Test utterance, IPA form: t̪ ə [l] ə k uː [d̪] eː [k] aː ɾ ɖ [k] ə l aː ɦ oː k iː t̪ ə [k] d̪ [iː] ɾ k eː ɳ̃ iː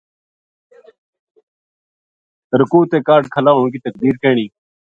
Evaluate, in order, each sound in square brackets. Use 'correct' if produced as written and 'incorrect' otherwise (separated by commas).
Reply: incorrect, incorrect, correct, incorrect, correct, correct